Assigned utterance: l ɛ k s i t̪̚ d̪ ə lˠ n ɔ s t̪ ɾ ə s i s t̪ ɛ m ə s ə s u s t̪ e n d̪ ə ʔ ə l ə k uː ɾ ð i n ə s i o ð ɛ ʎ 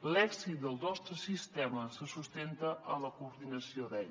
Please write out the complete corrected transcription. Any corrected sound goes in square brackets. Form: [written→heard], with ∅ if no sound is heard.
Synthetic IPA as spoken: l ɛ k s i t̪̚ d̪ ə lˠ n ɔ s t̪ ɾ ə s i s t̪ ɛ m ə s ə s u s t̪ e n [d̪→t̪] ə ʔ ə l ə k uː ɾ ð i n ə s i o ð ɛ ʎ